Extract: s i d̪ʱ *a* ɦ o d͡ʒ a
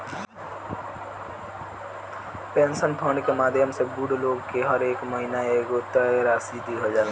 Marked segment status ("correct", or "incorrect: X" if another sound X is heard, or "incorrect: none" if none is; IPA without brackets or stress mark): incorrect: i